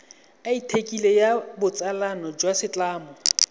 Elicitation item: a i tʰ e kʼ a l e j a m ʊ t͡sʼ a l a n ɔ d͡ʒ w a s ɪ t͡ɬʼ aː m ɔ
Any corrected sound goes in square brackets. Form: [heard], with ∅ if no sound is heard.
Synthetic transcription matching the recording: a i tʰ e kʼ [i] l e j a [b] ʊ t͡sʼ a l a n ɔ d͡ʒ w a s ɪ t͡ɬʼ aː m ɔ